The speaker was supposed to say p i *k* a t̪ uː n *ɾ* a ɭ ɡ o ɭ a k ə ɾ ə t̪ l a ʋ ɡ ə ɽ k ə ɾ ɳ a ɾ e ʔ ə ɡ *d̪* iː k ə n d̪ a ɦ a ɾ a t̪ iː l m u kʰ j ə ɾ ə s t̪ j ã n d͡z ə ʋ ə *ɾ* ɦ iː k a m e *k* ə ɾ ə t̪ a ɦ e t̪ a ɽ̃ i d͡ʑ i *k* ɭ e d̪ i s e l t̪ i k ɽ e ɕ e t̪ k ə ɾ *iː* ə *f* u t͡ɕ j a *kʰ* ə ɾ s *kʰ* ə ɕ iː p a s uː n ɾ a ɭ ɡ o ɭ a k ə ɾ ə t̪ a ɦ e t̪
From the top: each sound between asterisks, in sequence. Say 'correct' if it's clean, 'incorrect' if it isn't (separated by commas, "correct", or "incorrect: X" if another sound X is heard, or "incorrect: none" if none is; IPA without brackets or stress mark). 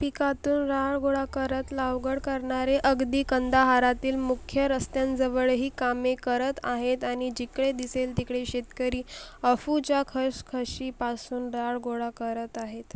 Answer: correct, correct, correct, incorrect: ɭ, correct, correct, correct, correct, correct, correct